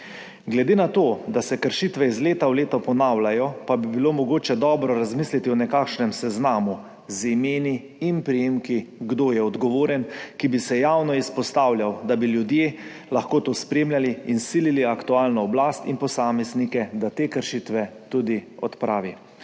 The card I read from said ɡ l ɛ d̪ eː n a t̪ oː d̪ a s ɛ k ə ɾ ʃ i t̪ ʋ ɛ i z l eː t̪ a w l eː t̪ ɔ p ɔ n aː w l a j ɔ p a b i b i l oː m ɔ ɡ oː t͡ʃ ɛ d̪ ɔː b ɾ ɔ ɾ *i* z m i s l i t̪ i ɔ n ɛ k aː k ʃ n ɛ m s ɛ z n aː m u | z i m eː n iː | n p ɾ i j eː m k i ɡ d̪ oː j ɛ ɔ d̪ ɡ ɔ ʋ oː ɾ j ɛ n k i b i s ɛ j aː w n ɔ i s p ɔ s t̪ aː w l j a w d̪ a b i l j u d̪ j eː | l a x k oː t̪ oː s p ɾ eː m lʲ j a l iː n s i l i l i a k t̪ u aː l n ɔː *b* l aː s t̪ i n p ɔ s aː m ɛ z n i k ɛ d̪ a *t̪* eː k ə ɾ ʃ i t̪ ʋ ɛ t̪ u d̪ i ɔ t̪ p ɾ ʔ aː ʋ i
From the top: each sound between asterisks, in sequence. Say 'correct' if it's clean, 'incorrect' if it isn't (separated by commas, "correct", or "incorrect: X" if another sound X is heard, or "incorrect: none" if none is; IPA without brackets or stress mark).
incorrect: a, correct, correct